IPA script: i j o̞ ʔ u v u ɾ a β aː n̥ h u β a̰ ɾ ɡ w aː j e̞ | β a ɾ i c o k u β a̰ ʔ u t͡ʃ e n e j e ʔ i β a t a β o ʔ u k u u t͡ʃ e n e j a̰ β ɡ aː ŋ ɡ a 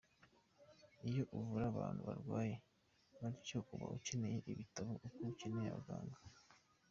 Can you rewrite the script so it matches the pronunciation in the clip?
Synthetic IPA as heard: i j o̞ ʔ u v u ɾ a β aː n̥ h u β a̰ ɾ ɡ w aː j e̞ | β a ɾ i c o k u β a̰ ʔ u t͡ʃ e n e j e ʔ i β i t a β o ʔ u k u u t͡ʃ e n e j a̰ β ɡ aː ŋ ɡ a